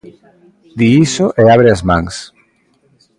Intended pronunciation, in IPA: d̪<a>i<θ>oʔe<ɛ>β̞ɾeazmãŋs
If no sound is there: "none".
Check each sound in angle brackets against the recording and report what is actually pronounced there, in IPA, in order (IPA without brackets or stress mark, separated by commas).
i, s, a